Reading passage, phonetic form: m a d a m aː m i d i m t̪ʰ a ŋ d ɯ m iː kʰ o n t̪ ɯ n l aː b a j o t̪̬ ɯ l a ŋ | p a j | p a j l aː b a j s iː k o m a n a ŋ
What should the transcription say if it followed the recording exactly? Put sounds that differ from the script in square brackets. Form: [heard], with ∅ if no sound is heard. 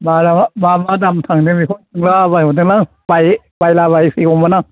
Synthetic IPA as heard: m a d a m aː m [a] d [a] m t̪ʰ a ŋ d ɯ m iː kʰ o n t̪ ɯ [ŋ] l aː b a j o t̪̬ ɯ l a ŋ | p a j | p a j l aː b a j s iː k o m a n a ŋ